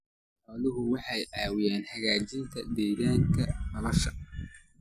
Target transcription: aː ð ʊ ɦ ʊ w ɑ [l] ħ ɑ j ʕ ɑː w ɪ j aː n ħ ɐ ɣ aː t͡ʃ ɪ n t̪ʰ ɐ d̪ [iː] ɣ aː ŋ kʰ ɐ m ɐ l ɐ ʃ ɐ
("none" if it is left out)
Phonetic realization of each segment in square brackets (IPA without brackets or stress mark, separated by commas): none, ɛː